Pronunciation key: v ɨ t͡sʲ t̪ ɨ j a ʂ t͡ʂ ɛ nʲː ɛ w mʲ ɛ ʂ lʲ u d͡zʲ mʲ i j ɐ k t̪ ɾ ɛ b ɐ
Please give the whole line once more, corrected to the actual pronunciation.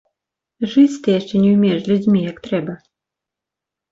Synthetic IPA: ʐ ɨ t͡sʲ t̪ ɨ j a ʂ t͡ʂ ɛ nʲ ɛ w mʲ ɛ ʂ lʲ u d͡zʲ mʲ i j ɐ k t̪ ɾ ɛ b ɐ